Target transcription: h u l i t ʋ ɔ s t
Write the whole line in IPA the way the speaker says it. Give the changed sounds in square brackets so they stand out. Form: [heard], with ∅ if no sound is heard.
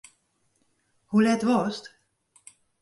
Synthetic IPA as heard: h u l [ɛ] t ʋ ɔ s t